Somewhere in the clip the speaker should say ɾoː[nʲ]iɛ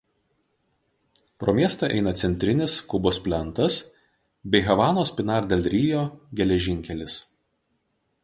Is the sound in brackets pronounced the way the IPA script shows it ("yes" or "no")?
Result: no